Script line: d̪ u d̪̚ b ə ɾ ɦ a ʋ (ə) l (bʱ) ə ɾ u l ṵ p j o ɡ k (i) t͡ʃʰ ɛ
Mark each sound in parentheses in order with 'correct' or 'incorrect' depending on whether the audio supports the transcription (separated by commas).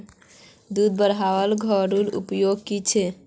correct, incorrect, correct